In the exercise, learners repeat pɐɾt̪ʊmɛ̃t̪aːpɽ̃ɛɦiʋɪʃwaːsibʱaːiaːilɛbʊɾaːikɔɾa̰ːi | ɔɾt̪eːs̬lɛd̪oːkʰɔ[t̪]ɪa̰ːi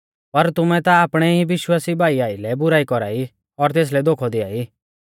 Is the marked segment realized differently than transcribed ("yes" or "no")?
yes